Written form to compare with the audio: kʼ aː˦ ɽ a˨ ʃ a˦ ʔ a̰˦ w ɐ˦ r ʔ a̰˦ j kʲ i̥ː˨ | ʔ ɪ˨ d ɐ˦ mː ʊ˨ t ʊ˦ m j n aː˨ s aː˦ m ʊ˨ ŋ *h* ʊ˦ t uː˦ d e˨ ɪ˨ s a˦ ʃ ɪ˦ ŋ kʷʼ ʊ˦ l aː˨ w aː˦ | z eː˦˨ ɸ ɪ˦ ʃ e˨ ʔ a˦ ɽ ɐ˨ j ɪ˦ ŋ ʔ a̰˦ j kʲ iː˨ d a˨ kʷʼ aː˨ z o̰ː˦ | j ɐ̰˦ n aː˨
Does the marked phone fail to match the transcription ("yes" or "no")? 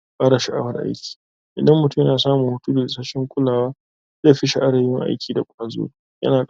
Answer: no